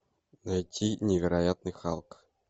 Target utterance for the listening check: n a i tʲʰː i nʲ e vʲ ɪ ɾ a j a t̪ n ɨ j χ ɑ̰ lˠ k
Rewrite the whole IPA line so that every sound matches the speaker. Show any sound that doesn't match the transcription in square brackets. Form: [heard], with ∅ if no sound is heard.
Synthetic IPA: n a [j] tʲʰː i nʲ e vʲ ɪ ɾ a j a t̪ n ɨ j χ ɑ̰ lˠ k